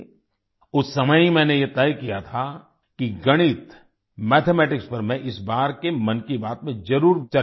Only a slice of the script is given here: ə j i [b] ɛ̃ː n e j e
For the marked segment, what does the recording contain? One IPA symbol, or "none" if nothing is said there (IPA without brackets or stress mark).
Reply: m